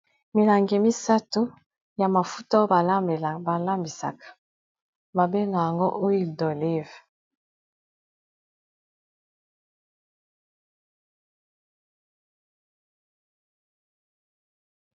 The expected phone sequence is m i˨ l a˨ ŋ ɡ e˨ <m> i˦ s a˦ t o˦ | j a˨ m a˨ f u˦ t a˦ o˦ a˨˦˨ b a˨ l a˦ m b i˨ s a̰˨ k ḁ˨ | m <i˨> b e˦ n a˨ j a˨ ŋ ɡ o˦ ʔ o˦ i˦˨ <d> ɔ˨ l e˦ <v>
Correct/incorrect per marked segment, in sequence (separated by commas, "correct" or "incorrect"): correct, incorrect, correct, correct